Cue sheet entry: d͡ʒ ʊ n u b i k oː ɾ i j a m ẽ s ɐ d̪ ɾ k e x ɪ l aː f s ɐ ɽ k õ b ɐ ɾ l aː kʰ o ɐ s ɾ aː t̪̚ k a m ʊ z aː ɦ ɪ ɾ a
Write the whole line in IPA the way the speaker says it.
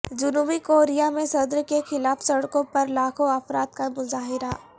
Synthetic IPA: d͡ʒ ʊ n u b i k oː ɾ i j a m ẽ s ɐ d̪ ɾ k e x ɪ l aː f s ɐ ɽ k õ p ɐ ɾ l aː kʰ o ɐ f ɾ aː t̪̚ k a m ʊ z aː ɦ ɪ ɾ a